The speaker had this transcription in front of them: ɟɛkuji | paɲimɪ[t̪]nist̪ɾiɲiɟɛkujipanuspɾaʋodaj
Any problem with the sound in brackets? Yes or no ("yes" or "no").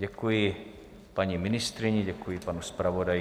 yes